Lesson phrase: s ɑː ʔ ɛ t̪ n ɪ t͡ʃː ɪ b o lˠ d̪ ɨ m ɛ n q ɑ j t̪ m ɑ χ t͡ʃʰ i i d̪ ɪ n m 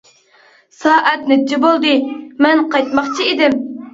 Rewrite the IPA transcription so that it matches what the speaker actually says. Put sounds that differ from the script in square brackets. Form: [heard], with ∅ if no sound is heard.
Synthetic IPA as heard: s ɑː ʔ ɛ t̪ n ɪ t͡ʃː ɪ b o lˠ d̪ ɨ m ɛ n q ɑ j t̪ m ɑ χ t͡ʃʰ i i d̪ ɪ [∅] m